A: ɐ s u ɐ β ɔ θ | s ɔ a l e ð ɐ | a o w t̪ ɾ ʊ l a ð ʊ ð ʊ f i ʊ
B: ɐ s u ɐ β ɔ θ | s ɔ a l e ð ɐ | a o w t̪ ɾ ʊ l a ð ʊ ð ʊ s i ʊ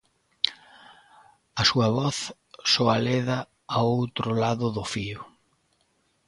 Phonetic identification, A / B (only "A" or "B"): A